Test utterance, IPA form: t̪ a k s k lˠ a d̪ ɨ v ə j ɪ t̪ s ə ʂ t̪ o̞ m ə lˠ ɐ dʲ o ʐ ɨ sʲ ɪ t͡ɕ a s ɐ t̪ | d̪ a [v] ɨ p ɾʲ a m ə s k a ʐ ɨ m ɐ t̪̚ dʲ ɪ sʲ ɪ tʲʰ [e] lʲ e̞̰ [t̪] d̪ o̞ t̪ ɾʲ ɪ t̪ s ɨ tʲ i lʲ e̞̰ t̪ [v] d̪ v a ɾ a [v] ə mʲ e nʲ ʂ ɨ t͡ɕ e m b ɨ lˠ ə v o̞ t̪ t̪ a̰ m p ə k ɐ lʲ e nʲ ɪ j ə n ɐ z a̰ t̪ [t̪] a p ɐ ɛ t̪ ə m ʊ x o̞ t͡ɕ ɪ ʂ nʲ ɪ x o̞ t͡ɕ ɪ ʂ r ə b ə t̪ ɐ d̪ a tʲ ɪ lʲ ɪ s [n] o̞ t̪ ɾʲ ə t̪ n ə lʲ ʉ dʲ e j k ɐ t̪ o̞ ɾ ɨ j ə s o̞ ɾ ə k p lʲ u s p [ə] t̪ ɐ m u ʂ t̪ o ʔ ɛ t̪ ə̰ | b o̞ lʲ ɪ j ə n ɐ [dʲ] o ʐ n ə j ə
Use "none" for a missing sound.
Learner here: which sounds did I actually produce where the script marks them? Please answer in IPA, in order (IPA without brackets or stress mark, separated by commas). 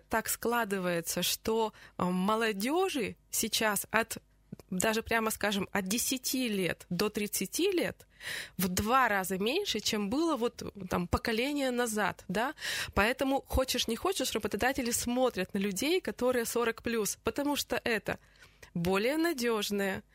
ʐ, i, t̪, v, z, d̪, m, ə, dʲ